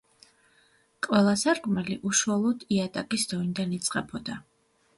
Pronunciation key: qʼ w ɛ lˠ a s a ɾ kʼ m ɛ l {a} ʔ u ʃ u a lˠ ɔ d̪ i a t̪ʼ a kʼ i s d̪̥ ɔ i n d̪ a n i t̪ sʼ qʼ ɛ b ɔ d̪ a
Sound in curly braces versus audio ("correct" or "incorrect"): incorrect